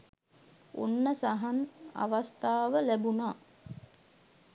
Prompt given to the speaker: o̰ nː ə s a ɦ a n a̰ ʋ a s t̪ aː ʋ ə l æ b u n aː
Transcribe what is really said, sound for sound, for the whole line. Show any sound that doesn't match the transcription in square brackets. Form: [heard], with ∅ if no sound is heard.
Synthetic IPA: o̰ nː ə s a ɦ a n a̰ ʋ a s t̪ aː ʋ ə l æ b u n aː